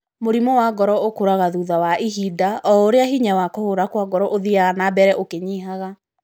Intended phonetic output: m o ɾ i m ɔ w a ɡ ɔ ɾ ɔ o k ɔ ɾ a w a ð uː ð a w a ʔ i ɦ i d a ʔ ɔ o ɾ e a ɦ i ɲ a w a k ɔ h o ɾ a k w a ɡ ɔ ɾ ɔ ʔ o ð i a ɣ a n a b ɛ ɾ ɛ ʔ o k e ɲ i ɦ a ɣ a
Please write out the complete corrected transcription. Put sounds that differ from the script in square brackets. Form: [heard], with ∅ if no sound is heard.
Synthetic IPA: m o ɾ i m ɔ w a ɡ ɔ ɾ ɔ o k [o] ɾ a [ɣ] a ð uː ð a w a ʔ i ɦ i d a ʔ ɔ o ɾ e a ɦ i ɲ a w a k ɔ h o ɾ a k w a ɡ ɔ ɾ ɔ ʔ o ð i a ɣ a n a b ɛ ɾ ɛ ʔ o k e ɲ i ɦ a ɣ a